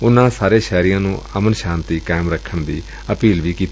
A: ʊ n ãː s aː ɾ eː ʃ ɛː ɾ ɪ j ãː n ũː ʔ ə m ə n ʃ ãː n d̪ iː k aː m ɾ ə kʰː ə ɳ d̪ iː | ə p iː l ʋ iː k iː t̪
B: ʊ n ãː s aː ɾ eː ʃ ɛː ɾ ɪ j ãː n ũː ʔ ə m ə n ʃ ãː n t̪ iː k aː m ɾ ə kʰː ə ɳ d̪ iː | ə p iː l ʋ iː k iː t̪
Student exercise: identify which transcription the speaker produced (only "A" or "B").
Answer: B